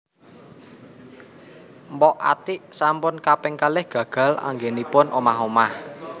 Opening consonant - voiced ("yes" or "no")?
yes